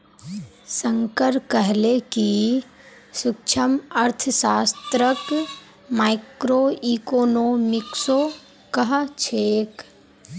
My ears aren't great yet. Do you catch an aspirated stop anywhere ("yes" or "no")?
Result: yes